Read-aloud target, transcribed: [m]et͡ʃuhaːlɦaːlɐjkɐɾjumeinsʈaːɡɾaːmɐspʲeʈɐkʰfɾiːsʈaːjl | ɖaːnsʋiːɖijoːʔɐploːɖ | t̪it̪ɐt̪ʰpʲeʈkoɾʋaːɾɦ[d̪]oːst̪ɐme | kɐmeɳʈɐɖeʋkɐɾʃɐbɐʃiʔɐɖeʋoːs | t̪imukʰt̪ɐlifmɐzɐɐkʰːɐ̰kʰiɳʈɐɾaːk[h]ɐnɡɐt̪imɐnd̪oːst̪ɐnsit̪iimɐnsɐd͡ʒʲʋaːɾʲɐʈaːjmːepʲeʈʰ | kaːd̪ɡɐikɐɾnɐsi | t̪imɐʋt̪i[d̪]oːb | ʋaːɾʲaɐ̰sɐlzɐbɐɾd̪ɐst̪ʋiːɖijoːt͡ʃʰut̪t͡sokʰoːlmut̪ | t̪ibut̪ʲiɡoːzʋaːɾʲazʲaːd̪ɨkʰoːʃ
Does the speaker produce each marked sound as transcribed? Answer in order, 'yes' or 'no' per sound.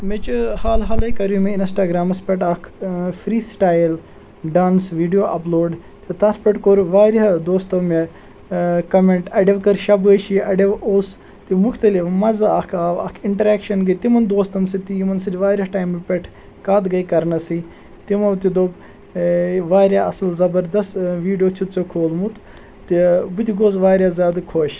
yes, yes, no, yes

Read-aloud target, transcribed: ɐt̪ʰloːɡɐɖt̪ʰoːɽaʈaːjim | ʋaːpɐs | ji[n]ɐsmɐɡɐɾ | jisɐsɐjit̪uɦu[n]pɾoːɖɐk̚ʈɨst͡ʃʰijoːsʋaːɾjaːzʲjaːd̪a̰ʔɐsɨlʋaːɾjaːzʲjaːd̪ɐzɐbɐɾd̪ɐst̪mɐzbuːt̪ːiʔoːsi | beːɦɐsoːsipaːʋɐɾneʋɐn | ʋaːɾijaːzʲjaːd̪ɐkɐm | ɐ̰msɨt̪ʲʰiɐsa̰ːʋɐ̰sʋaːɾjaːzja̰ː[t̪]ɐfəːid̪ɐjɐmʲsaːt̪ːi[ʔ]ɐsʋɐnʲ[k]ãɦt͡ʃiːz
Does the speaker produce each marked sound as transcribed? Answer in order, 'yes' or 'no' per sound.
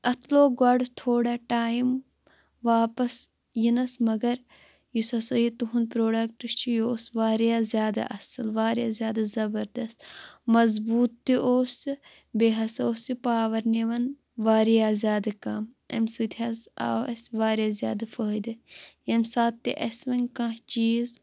yes, yes, no, yes, yes

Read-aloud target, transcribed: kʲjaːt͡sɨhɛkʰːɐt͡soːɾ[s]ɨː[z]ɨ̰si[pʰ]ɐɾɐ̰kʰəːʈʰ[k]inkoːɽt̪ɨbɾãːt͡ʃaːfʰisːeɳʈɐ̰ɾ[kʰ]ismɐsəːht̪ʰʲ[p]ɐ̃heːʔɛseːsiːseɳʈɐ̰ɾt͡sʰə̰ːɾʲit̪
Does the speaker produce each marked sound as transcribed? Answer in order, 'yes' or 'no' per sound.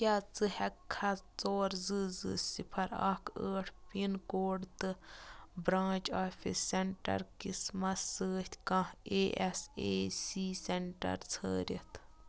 no, yes, yes, no, no, no

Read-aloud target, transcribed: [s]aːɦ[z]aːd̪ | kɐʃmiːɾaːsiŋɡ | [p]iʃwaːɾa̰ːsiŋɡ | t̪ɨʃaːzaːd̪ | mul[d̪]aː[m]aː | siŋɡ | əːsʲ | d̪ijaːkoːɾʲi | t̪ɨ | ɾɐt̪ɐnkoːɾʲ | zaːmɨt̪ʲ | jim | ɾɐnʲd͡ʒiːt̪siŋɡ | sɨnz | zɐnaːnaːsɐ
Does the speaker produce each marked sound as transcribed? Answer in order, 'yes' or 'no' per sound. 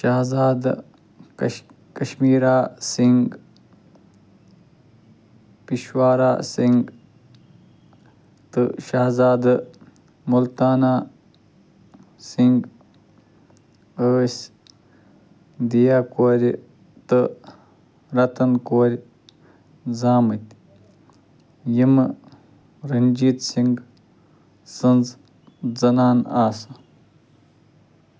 no, yes, yes, no, no

